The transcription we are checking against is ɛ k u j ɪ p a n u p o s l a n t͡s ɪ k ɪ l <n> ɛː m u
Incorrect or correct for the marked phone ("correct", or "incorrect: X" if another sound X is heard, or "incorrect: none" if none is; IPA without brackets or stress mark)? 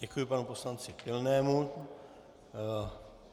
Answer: correct